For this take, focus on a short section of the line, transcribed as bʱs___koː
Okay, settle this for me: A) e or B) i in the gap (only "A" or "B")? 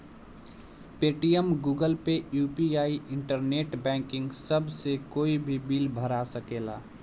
A